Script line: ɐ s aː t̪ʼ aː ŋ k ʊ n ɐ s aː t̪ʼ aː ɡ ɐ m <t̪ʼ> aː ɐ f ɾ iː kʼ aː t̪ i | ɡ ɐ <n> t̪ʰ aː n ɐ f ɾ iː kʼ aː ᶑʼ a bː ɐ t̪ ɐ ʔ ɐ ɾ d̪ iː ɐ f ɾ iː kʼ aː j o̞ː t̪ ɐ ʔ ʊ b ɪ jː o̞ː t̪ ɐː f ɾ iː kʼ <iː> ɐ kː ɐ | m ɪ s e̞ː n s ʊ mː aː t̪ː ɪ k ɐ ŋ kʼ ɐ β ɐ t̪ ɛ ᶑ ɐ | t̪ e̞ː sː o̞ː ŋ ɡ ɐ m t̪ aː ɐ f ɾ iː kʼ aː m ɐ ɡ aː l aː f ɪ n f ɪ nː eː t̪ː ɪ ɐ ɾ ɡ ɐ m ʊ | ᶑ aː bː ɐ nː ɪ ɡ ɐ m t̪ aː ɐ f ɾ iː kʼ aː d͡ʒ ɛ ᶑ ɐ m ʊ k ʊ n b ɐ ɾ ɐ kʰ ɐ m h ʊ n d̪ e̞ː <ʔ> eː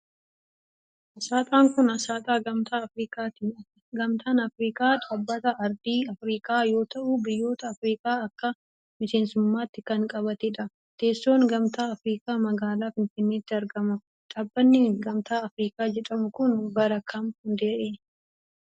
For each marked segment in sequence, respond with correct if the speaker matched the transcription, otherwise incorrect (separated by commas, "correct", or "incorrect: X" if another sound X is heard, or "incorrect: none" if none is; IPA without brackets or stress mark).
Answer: incorrect: t̪, incorrect: m, incorrect: aː, correct